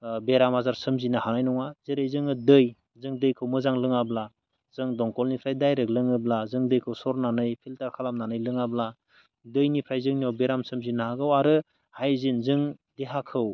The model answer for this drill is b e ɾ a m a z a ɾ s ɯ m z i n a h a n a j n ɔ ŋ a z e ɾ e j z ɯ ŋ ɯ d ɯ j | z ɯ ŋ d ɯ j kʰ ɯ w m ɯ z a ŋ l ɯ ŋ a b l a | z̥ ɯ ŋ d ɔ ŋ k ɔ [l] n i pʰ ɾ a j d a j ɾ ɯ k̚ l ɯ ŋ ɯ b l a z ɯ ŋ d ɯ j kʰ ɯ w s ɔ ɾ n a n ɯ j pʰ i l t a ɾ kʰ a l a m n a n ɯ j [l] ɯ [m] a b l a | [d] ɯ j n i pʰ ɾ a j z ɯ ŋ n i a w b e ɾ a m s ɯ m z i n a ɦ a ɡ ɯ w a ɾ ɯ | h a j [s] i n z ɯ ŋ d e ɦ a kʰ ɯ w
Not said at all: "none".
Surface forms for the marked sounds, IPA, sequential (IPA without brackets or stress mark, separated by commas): l, l, ŋ, d, z